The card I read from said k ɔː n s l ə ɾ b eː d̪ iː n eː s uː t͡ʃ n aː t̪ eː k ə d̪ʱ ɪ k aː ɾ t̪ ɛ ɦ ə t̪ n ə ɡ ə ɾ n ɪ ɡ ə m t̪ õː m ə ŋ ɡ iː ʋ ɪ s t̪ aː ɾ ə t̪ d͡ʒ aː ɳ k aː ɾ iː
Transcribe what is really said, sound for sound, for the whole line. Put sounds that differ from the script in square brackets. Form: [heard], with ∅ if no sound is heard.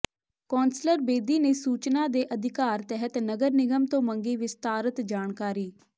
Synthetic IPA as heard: k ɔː n s l ə ɾ b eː d̪ iː n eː s uː t͡ʃ n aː [d̪] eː [ʔ] ə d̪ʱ ɪ k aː ɾ t̪ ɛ ɦ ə t̪ n ə ɡ ə ɾ n ɪ ɡ ə m t̪ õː m ə ŋ ɡ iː ʋ ɪ s t̪ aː ɾ ə t̪ d͡ʒ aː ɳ k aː ɾ iː